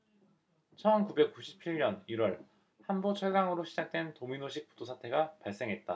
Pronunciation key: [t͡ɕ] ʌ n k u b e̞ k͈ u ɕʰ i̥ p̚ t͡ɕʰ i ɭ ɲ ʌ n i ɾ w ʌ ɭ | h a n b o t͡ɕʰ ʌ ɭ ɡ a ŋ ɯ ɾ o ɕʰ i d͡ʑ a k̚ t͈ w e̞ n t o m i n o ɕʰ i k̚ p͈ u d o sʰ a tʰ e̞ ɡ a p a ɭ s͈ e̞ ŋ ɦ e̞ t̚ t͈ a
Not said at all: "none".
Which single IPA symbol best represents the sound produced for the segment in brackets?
t͡ɕʰ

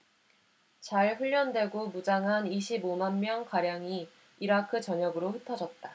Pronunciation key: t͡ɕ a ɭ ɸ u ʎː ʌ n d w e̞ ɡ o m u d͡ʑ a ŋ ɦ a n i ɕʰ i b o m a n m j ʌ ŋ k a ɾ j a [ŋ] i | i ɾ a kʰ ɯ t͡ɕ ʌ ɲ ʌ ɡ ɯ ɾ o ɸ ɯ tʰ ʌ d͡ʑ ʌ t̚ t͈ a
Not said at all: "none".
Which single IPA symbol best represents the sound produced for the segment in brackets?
ŋ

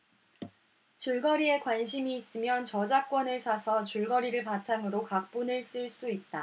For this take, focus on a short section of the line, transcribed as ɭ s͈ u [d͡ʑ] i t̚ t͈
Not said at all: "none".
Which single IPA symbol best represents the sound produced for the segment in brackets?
none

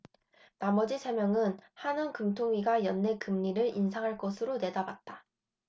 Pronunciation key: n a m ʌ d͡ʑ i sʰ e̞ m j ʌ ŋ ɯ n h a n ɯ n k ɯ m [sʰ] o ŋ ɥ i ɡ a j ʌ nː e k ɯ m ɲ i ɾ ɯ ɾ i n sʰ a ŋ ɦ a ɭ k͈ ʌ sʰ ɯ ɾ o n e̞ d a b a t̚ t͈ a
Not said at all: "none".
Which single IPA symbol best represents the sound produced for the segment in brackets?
tʰ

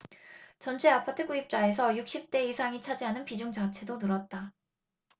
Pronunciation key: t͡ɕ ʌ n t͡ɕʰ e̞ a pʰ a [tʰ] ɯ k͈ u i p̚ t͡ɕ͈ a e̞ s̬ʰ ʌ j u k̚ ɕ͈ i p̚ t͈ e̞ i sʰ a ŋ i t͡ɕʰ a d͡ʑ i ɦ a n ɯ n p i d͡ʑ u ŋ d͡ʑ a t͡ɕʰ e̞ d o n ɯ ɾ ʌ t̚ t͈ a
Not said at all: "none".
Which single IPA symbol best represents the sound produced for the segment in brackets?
tʰ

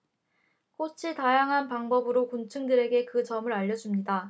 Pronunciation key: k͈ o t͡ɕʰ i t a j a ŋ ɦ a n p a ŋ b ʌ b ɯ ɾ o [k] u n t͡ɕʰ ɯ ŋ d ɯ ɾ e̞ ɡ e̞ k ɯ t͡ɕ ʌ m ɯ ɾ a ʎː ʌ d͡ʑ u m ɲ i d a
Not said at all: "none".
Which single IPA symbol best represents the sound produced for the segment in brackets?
k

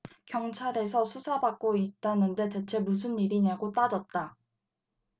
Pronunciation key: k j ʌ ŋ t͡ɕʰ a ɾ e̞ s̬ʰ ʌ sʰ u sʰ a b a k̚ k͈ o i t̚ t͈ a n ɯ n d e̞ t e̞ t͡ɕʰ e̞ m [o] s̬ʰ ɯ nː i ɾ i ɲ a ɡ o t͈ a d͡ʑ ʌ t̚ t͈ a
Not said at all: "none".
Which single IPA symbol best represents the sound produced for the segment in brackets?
u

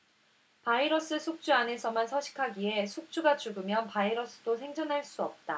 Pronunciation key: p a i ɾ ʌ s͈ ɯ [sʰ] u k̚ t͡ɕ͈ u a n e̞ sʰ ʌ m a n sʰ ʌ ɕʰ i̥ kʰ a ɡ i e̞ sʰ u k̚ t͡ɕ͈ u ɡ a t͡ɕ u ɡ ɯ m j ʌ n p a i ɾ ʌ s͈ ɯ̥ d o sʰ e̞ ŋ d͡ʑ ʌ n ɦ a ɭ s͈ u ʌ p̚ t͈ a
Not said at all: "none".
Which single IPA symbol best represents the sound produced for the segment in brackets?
sʰ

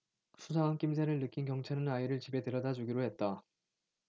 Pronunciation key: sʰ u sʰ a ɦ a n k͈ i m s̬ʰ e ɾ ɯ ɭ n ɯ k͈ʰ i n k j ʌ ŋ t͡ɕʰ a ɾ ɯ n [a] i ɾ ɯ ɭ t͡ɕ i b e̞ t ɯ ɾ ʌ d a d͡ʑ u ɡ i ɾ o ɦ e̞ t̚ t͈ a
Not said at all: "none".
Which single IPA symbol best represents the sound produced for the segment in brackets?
a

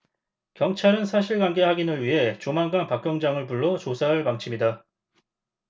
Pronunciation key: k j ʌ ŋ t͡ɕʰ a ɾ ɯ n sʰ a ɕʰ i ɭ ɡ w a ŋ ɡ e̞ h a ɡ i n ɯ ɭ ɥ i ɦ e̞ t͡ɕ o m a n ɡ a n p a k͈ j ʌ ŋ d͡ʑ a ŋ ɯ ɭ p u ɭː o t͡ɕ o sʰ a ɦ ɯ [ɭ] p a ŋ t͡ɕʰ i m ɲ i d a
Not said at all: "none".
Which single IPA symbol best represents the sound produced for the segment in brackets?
ɭ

